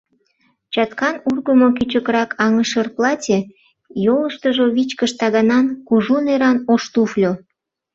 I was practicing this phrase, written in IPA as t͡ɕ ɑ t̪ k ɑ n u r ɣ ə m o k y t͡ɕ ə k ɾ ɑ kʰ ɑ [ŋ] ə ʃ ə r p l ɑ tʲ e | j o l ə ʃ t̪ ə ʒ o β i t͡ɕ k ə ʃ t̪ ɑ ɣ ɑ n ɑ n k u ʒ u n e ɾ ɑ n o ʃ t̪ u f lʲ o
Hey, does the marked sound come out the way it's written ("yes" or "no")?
yes